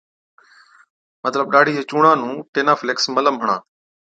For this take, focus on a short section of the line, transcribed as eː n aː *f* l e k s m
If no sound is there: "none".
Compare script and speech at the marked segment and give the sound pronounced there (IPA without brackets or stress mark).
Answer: f